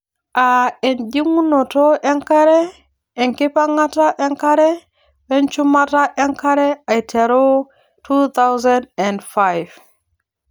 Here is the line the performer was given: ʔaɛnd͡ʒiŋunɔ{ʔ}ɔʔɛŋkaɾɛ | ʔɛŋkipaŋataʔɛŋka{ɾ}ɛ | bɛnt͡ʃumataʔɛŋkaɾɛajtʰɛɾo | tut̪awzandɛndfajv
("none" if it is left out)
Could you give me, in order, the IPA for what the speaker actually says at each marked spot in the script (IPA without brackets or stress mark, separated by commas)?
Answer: t, ɾ